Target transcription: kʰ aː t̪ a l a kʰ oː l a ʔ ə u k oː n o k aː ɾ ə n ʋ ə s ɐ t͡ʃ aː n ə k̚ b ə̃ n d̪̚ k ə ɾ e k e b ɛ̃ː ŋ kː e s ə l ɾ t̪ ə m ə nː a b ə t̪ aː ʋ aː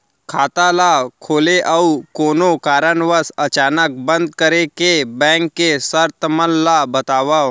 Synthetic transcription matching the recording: kʰ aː t̪ a l a kʰ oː l e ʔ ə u k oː n o k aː ɾ ə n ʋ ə s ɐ t͡ʃ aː n ə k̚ b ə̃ n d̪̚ k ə ɾ e k e b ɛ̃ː ŋ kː e s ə ɾ t̪ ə m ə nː a b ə t̪ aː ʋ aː